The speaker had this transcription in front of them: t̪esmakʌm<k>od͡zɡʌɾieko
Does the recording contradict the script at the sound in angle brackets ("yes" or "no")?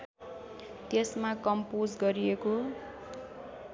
yes